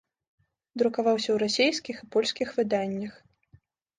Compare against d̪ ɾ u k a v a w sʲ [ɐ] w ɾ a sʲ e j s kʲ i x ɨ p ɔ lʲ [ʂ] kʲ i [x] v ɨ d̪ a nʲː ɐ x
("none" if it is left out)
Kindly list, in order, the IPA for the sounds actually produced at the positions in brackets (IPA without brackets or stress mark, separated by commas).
ɐ, s, x